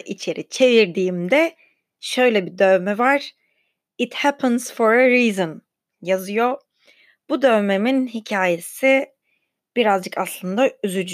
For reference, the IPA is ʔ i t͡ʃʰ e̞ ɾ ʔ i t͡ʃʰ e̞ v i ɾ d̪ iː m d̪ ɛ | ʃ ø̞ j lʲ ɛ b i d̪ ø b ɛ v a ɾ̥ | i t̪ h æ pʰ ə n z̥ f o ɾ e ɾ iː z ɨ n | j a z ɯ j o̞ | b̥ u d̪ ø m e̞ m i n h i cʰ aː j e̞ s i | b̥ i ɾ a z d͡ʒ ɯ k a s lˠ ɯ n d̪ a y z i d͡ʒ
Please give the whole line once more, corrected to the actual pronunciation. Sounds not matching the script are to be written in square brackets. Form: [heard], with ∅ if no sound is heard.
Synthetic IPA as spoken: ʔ i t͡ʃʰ e̞ ɾ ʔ i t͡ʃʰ e̞ v i ɾ d̪ iː m d̪ ɛ | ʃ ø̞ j lʲ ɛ b i d̪ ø [m] ɛ v a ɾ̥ | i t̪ h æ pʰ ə n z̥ f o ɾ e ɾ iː z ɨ n | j a z ɯ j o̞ | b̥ u d̪ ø m e̞ m i n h i cʰ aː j e̞ s i | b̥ i ɾ a z d͡ʒ ɯ k a s lˠ ɯ n d̪ a y z [y] d͡ʒ